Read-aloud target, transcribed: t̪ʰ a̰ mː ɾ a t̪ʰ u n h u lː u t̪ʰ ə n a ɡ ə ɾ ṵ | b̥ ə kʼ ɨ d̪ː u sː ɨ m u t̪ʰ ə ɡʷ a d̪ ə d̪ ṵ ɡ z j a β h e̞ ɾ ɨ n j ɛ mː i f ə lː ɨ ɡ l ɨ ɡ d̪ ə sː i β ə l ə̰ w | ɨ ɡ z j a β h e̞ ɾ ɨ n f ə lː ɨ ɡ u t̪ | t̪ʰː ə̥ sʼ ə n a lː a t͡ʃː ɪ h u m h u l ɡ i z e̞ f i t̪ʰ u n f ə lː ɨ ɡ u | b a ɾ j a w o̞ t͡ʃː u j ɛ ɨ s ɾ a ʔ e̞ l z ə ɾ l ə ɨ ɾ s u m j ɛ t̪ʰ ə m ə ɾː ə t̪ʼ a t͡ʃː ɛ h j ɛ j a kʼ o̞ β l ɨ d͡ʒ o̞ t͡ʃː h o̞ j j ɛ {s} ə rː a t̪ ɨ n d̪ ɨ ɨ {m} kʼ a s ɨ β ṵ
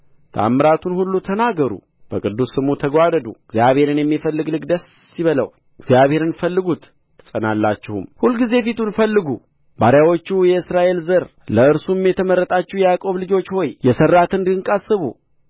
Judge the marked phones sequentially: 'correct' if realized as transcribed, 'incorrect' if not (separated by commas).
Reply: correct, incorrect